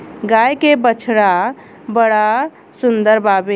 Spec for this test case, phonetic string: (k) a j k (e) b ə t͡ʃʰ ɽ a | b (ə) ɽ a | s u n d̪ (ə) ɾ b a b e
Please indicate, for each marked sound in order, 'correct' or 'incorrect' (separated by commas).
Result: incorrect, correct, correct, correct